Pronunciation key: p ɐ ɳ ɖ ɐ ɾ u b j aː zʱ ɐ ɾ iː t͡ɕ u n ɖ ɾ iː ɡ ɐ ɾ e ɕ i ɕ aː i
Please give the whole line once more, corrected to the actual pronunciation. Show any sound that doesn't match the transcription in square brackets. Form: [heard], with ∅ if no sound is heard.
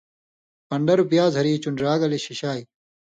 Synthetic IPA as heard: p ɐ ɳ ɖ ɐ ɾ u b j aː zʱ ɐ ɾ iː t͡ɕ u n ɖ ɾ [aː] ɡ ɐ [l] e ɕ i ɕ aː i